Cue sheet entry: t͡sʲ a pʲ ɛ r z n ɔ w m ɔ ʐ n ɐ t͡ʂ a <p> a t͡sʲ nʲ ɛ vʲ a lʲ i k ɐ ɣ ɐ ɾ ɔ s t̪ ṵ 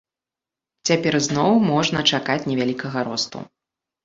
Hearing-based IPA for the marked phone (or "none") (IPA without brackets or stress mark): k